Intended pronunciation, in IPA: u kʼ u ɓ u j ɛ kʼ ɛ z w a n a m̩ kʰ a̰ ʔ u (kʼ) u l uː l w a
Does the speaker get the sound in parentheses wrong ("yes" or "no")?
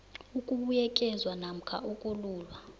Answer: no